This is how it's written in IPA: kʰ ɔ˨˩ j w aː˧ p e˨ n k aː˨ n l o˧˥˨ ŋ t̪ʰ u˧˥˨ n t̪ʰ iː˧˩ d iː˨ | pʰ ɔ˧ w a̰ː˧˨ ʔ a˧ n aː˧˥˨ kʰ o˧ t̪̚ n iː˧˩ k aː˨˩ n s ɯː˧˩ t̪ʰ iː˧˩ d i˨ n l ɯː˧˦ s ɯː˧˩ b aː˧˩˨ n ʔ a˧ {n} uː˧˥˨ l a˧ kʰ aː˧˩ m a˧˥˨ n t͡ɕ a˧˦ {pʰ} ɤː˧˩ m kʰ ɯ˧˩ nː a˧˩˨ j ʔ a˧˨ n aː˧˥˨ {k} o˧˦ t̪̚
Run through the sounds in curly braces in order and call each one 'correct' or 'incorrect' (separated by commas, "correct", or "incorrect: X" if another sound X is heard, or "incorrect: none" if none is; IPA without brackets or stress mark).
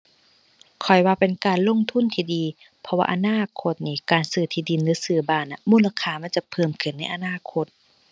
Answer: incorrect: m, correct, incorrect: kʰ